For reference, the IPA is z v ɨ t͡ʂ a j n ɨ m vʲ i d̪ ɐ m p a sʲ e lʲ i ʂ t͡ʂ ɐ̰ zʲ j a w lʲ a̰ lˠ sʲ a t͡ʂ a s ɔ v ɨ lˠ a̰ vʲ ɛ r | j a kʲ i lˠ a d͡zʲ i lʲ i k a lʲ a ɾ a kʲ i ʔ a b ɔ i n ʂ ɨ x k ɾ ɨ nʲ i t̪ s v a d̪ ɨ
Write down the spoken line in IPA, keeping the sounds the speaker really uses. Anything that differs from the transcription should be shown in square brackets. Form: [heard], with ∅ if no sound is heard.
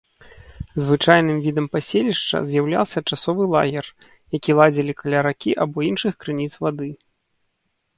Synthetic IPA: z v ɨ t͡ʂ a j n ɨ m vʲ i d̪ ɐ m p a sʲ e lʲ i ʂ t͡ʂ ɐ̰ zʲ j a w lʲ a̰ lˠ sʲ [ɐ] t͡ʂ a s ɔ v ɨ lˠ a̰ [ɣʲ] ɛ r | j a kʲ i lˠ a d͡zʲ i lʲ i k a lʲ a ɾ a kʲ i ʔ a b ɔ i n ʂ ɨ x k ɾ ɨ nʲ i t̪ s v a d̪ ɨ